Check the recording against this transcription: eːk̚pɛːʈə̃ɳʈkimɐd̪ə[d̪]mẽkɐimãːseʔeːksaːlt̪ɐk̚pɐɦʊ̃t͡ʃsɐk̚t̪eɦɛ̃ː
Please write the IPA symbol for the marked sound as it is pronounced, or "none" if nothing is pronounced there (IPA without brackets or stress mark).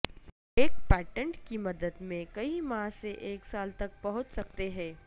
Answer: d̪